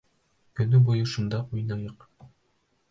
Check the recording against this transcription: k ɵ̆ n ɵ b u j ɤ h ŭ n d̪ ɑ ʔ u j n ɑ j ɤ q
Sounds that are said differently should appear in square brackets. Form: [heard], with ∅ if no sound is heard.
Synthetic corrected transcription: k ɵ̆ n ɵ b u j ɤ [ʃ] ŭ n d̪ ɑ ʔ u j n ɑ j ɤ q